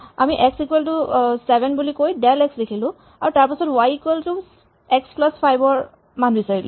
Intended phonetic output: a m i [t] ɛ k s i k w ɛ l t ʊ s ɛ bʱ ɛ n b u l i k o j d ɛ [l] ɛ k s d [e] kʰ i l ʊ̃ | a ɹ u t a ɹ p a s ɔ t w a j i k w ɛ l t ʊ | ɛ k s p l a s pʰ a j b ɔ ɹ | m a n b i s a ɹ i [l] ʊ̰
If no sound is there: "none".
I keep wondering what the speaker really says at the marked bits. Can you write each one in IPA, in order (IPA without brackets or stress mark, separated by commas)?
ʔ, l, e, l